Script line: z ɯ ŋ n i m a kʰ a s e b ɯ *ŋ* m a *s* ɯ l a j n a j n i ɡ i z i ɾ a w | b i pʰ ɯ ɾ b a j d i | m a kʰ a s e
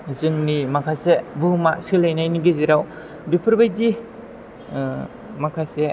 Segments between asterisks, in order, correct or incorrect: incorrect: none, correct

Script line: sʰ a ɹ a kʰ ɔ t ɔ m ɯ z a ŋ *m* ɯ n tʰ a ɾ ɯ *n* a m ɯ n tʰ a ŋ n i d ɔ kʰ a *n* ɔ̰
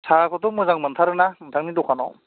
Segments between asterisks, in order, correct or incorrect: correct, correct, correct

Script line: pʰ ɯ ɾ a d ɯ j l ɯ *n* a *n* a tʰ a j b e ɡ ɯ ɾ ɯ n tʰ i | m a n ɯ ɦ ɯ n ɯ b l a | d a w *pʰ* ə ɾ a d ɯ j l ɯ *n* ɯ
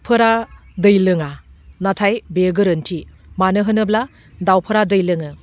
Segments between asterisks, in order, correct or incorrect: incorrect: ŋ, correct, correct, incorrect: ŋ

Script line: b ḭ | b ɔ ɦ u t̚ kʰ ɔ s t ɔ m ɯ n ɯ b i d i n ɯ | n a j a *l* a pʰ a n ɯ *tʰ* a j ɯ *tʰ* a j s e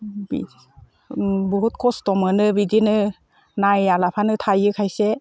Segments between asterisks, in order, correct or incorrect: correct, correct, incorrect: kʰ

